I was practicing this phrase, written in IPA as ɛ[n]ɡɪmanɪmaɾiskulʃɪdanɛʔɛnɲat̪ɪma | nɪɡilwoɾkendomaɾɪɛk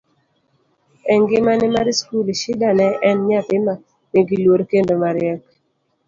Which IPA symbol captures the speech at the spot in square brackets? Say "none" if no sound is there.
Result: ŋ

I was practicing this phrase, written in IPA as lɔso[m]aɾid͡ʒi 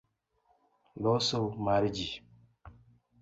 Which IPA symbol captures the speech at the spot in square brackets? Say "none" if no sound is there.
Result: m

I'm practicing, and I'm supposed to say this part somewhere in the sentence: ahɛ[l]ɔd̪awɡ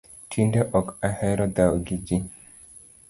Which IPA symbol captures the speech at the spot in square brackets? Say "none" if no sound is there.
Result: ɾ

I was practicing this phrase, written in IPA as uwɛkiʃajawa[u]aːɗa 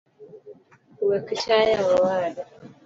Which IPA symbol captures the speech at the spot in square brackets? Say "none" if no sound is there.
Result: w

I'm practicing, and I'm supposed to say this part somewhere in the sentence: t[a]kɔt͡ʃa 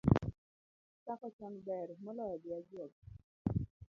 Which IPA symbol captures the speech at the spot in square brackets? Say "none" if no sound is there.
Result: a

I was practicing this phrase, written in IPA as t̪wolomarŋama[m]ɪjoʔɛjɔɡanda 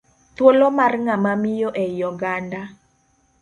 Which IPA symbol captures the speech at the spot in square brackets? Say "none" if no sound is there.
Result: m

